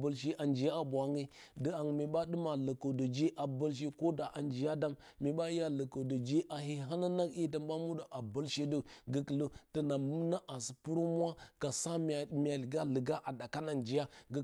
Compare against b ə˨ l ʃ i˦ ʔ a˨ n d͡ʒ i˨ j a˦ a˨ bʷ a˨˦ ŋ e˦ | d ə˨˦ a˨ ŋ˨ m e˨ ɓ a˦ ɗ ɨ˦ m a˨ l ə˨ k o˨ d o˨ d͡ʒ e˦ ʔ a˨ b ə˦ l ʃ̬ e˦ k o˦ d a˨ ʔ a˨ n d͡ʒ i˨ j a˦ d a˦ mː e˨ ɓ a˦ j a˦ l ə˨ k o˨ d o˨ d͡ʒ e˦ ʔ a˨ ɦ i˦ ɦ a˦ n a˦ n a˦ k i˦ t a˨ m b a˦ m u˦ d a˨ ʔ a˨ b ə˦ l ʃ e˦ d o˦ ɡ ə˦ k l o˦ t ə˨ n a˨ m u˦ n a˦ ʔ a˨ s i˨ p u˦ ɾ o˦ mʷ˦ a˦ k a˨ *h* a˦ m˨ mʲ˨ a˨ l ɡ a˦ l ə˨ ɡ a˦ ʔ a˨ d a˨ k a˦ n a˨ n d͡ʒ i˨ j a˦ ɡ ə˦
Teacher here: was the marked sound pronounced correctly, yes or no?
no